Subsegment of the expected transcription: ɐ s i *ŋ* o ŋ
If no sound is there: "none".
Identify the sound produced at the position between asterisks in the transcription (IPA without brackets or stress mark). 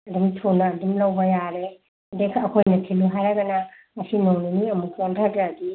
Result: n